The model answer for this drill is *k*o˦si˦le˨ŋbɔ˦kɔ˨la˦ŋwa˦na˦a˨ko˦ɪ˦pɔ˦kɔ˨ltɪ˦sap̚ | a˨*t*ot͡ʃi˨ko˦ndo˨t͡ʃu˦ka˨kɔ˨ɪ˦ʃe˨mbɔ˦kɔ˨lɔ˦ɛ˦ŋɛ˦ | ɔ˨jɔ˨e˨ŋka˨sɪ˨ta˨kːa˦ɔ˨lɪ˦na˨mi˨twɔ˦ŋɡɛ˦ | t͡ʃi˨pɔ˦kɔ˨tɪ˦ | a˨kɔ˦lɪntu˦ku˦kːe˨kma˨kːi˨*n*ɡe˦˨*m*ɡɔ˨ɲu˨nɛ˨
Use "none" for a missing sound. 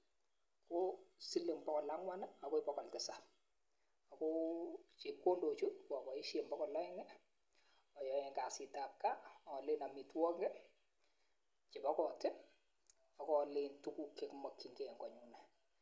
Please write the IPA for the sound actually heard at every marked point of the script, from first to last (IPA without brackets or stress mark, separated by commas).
k, k, ŋ, ŋ